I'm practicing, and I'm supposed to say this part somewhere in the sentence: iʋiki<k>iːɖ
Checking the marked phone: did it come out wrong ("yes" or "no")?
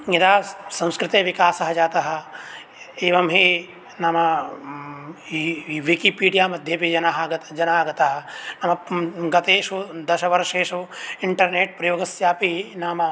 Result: yes